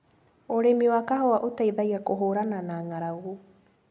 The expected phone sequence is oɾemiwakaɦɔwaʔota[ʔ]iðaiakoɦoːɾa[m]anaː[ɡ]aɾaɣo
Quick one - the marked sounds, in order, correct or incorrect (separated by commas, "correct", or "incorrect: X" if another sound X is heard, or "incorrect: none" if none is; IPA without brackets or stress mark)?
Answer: incorrect: none, incorrect: n, incorrect: ŋ